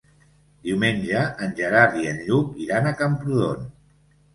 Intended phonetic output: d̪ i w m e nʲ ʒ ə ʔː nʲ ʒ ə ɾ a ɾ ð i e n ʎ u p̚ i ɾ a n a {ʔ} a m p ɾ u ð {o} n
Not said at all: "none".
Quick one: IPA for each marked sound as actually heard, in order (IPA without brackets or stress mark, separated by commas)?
k, o